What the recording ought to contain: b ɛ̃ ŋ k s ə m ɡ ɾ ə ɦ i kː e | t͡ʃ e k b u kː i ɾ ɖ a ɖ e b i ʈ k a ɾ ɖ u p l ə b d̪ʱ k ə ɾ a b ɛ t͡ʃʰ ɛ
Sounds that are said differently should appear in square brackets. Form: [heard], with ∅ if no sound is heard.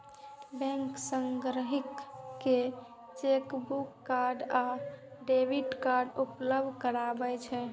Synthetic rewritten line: b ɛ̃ ŋ k s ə [ŋ] ɡ ɾ ə ɦ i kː e | t͡ʃ e k b u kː [a] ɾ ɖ a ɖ e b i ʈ k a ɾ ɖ u p l ə b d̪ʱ k ə ɾ a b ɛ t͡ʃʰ ɛ